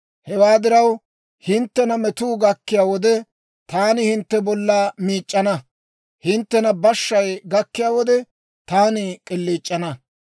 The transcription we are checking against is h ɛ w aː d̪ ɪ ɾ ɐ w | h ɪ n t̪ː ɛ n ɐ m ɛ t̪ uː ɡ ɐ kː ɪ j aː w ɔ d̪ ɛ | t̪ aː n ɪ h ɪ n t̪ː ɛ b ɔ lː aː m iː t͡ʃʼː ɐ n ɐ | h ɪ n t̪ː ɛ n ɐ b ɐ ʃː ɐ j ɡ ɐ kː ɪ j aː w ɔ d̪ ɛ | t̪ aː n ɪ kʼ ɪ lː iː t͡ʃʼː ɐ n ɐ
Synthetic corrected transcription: h ɛ w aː d̪ ɪ ɾ ɐ w | h ɪ n t̪ː ɛ n ɐ m ɛ t̪ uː ɡ ɐ kː ɪ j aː w ɔ d̪ ɛ | t̪ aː n ɪ h ɪ n t̪ː ɛ b ɔ lː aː m iː t͡ʃʼː ɐ n ɐ | h ɪ n t̪ː ɛ n ɐ b ɐ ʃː ɐ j ɡ ɐ kː ɪ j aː w ɔ d̪ ɛ | t̪ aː n ɪ kʼ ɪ lː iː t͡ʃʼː ɐ n ɐ